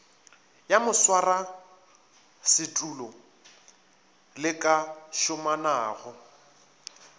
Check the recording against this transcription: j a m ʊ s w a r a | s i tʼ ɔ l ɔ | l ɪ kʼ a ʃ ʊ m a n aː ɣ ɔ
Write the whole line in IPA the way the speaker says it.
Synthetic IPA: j a m ʊ s w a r a | s ɪ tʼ u l ɔ | l ɪ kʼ a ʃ ʊ m a n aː ɣ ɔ